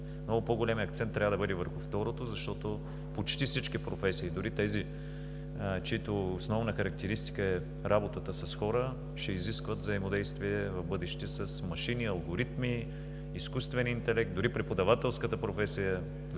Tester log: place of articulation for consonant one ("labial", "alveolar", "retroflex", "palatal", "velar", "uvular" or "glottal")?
labial